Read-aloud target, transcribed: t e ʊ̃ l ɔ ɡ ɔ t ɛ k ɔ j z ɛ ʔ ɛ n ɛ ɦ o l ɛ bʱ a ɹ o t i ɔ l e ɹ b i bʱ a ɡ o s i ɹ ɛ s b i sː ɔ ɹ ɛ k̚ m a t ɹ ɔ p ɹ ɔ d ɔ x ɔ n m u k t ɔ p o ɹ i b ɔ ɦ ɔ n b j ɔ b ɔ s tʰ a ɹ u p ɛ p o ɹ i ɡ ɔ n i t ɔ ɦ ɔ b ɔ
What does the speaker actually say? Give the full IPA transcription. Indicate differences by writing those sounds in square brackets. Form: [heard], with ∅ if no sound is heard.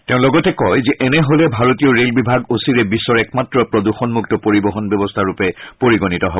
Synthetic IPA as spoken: t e ʊ̃ l ɔ ɡ ɔ t ɛ k ɔ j z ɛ ʔ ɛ n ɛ ɦ o l ɛ bʱ a ɹ o t i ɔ [ɹ] e [l] b i bʱ a ɡ o s i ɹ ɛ [∅] b i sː ɔ ɹ ɛ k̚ m a t ɹ ɔ p ɹ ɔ d [u] x ɔ n m u k t ɔ p o ɹ i b ɔ ɦ ɔ n b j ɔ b ɔ s tʰ a ɹ u p ɛ p o ɹ i ɡ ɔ n i t ɔ ɦ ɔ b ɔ